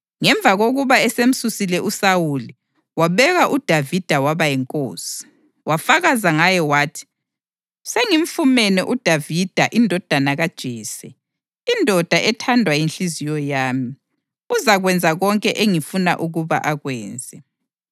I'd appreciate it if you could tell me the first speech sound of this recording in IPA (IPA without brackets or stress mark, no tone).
ŋ